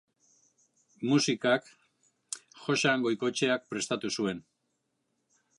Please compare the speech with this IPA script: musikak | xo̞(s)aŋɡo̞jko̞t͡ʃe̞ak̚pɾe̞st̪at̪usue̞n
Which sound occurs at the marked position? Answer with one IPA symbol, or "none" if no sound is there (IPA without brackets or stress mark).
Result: ʃ